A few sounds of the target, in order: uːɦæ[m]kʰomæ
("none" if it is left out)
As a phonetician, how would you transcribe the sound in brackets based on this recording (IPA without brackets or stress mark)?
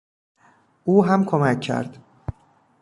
m